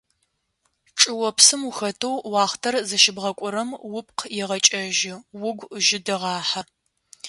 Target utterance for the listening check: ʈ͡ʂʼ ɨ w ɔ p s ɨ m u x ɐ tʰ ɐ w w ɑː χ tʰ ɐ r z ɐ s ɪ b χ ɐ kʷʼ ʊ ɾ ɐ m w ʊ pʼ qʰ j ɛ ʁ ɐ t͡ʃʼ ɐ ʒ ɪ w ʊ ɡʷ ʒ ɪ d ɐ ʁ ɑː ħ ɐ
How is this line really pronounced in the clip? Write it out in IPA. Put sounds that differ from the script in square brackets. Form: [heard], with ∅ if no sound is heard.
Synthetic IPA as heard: ʈ͡ʂʼ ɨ w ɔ p s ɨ m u x ɐ tʰ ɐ w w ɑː χ tʰ ɐ r z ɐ [ʃ] ɪ b [ʁ] ɐ kʷʼ ʊ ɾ ɐ m w ʊ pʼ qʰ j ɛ ʁ ɐ t͡ʃʼ ɐ ʒ ɪ w ʊ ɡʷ ʒ ɪ d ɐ ʁ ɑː ħ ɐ